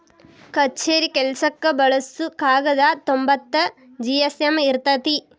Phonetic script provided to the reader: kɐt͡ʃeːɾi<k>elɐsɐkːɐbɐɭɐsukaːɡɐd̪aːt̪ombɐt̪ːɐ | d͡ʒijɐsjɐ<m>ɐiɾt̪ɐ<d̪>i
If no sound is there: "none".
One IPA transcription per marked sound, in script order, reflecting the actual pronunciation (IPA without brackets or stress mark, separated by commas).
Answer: k, m, t̪